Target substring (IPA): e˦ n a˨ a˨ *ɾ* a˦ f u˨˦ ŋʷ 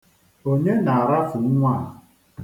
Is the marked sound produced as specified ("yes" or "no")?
yes